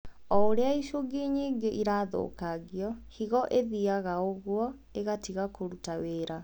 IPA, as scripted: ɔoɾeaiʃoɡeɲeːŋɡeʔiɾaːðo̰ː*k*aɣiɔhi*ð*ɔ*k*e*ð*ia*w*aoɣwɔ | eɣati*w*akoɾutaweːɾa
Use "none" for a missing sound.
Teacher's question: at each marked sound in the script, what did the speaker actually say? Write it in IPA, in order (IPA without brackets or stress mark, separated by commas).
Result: k, ɣ, ʔ, ð, ɣ, ɣ